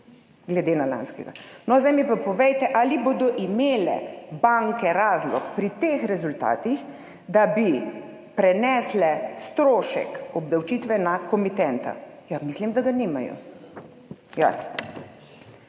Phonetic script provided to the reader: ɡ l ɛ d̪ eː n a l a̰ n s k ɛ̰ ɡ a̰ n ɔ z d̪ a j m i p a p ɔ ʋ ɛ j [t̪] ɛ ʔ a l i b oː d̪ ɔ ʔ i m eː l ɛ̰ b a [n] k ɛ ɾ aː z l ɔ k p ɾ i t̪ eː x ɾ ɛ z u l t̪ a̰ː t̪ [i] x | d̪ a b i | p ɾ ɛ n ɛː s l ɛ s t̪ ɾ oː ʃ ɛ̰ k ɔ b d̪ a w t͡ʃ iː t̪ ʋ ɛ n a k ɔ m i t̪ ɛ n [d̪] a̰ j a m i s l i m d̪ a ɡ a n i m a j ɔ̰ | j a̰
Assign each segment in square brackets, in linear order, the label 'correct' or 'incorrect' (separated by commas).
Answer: correct, incorrect, correct, incorrect